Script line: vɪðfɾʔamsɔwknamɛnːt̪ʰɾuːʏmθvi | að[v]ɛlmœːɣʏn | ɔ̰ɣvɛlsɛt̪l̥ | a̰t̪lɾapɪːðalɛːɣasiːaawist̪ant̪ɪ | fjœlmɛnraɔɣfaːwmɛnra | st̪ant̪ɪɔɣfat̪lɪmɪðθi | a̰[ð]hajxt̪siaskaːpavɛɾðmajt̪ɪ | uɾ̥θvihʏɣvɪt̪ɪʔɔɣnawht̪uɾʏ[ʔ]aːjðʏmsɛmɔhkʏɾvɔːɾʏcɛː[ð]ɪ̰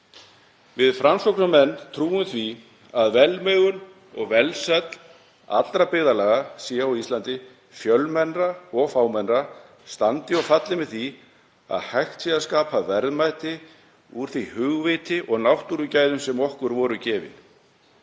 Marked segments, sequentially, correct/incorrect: correct, correct, incorrect, incorrect

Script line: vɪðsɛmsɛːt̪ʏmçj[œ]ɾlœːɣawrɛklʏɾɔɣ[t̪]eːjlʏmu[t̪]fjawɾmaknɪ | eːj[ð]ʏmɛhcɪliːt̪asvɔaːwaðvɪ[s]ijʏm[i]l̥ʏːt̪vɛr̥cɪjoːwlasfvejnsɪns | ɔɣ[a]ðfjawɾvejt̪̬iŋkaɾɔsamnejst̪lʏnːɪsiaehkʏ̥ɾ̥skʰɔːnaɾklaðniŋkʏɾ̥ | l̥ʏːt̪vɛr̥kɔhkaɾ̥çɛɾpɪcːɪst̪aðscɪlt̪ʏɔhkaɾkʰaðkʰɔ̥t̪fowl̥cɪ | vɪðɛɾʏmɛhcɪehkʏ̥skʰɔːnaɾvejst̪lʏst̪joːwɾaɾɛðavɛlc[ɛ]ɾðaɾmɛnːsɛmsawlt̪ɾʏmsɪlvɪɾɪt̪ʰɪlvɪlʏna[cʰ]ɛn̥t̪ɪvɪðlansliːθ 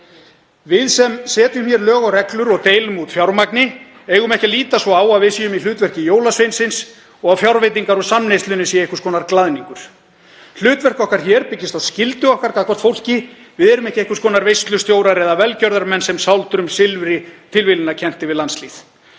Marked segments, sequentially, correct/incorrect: incorrect, correct, correct, incorrect, correct, correct, correct, incorrect, correct

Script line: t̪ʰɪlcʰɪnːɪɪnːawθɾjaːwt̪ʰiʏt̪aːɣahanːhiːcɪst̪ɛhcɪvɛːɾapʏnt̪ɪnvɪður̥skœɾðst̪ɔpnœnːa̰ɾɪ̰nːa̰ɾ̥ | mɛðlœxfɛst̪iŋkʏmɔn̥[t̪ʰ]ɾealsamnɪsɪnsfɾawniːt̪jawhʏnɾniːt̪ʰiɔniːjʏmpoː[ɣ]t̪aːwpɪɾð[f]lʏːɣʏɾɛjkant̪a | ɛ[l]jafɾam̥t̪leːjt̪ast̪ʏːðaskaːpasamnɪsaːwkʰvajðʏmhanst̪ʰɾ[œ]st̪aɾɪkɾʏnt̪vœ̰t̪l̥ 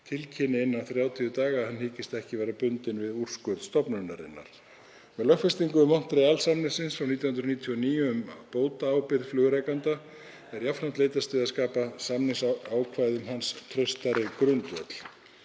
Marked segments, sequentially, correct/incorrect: incorrect, incorrect, correct, incorrect, correct

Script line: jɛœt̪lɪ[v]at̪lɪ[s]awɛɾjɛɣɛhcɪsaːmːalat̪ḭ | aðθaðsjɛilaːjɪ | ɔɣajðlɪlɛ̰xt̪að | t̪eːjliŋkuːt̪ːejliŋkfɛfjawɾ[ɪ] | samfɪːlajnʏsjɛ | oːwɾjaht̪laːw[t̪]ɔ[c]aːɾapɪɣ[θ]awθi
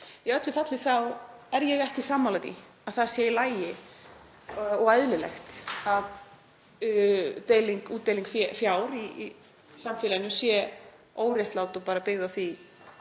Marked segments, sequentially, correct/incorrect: incorrect, incorrect, incorrect, correct, incorrect, incorrect

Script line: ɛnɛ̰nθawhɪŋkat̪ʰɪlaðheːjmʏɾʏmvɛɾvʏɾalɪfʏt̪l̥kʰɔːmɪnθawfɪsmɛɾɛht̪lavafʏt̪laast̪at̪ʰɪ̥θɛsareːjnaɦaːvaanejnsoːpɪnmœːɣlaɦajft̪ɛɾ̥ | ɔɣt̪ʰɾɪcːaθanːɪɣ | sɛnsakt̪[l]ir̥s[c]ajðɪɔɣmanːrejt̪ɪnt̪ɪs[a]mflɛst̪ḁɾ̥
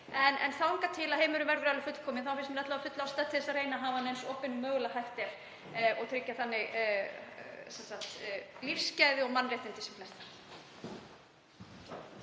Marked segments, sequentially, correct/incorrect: correct, correct, incorrect

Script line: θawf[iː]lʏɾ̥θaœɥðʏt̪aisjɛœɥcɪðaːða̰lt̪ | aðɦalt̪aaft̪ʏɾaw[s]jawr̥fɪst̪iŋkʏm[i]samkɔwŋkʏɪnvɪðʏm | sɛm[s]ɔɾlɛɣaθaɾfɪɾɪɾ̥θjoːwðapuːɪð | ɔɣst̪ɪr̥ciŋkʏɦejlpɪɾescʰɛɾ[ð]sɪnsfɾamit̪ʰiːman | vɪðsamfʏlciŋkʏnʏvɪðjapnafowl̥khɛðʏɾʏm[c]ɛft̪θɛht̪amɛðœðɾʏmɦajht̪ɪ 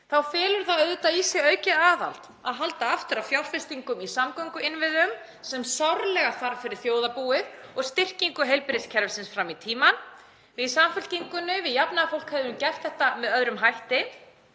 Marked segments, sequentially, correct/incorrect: incorrect, incorrect, correct, correct, incorrect, correct

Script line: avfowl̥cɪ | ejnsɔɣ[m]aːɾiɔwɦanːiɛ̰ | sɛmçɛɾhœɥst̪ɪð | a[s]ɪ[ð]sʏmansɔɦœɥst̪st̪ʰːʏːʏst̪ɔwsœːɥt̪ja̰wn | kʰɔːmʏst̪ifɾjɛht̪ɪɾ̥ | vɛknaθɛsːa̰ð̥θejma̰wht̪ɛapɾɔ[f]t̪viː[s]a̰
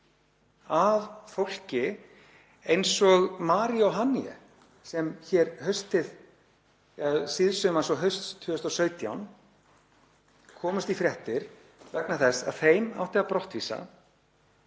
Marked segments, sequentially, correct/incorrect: correct, correct, correct, incorrect, correct

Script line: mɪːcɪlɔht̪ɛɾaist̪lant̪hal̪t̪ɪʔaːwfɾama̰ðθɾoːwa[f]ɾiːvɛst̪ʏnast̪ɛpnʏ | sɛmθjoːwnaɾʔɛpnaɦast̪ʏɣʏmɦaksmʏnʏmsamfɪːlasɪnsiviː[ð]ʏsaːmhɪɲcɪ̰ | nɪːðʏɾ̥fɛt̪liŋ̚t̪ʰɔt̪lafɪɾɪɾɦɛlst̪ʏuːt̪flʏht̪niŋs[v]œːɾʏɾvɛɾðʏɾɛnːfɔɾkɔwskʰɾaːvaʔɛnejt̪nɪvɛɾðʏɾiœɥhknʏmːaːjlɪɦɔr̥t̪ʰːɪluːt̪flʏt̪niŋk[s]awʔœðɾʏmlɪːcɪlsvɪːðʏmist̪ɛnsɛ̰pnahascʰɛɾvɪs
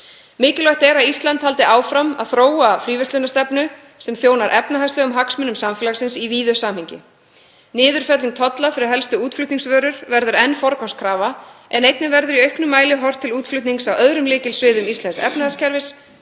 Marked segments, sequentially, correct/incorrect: correct, correct, correct, correct

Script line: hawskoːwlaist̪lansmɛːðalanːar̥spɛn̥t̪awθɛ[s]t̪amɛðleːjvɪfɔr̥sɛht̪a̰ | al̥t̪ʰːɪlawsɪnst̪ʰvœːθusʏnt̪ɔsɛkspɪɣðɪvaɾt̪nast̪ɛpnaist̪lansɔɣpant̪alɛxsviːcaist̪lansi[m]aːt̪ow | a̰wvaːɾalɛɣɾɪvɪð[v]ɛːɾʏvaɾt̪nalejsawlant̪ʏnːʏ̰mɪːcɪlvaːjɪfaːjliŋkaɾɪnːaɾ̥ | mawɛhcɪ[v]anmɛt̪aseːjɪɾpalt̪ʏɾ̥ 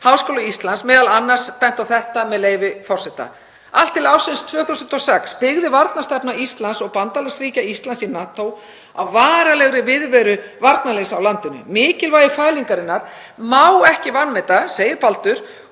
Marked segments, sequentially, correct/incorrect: incorrect, incorrect, correct, correct

